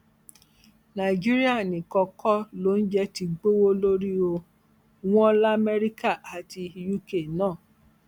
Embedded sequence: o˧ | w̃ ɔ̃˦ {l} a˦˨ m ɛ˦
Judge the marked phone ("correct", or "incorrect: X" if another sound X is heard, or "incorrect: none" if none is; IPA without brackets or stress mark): correct